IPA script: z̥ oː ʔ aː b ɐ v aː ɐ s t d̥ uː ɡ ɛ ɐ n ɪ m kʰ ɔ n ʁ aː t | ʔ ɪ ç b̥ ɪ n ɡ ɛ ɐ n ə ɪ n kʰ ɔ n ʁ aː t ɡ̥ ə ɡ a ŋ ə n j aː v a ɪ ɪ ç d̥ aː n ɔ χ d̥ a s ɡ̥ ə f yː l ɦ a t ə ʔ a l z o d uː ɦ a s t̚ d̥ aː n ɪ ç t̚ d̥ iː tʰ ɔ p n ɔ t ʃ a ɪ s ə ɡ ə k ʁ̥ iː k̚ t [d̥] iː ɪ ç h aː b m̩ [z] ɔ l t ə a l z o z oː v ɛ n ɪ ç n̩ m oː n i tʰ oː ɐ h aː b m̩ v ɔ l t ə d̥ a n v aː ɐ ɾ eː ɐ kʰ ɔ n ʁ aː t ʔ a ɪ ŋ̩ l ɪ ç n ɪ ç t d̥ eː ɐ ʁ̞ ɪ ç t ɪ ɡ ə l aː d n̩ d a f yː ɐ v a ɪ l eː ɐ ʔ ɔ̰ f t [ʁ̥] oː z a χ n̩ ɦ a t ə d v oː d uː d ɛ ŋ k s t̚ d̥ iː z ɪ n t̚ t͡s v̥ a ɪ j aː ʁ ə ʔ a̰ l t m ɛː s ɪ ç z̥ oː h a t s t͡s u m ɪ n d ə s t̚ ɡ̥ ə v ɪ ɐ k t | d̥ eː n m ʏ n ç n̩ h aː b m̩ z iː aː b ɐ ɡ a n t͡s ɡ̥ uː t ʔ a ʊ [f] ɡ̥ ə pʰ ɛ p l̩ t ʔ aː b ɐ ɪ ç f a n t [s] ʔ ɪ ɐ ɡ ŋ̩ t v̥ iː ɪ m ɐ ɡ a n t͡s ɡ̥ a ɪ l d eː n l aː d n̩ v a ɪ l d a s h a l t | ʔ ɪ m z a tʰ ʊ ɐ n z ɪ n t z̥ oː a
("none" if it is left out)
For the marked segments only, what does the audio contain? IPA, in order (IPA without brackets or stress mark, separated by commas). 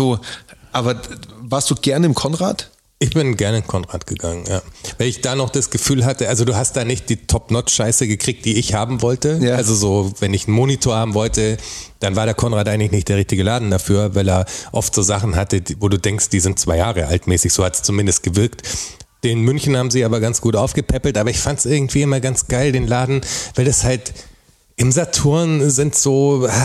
d̥, v, z̥, f, s